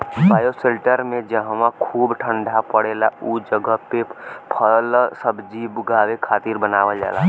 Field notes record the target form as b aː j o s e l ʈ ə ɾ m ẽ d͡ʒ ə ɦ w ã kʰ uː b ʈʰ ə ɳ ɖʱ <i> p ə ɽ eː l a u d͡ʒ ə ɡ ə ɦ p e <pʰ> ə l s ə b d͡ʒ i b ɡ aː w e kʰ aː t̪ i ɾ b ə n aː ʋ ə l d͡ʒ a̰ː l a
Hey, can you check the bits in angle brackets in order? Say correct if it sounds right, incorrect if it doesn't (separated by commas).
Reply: incorrect, correct